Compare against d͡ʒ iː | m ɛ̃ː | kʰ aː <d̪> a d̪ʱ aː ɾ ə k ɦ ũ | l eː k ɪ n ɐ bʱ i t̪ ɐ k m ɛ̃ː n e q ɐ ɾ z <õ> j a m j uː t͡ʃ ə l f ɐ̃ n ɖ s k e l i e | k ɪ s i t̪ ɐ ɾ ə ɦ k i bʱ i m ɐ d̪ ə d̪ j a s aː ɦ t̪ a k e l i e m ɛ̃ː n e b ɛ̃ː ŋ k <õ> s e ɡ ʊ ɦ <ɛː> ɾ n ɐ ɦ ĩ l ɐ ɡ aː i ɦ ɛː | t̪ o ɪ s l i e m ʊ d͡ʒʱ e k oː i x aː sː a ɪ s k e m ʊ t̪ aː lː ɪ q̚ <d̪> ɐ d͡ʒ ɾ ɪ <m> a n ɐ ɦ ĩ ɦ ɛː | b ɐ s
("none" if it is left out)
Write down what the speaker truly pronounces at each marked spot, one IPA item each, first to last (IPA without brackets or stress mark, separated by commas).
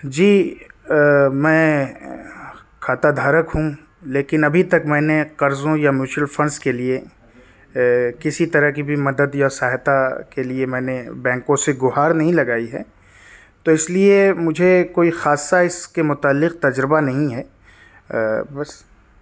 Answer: t̪, õ, õ, aː, t̪, b